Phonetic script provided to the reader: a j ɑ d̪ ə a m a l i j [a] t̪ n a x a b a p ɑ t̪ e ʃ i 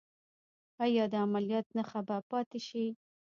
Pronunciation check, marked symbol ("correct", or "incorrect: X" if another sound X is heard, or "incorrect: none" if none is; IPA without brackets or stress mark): incorrect: ɑ